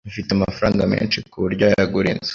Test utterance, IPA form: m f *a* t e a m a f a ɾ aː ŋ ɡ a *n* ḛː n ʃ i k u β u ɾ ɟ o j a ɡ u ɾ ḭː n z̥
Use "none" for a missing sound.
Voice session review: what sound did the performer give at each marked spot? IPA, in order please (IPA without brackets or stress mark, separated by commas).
i, m